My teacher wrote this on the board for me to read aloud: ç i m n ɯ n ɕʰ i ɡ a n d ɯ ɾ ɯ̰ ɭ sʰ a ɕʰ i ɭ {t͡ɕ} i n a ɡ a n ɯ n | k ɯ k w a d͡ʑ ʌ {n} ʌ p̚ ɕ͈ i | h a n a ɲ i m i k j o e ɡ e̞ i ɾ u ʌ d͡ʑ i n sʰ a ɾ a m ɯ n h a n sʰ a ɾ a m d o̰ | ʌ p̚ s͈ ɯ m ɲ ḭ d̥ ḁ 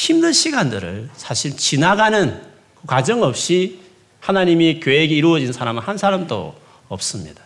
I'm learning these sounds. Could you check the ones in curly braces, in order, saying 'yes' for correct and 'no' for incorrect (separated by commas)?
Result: yes, no